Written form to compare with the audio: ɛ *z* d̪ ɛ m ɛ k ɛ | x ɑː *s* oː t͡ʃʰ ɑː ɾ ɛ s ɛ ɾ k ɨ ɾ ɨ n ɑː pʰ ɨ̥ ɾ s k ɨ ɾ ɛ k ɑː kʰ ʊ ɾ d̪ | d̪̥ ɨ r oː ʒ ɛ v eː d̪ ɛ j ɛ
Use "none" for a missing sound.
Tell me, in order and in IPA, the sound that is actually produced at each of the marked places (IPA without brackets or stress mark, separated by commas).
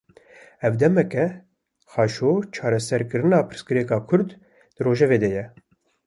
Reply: v, ʃ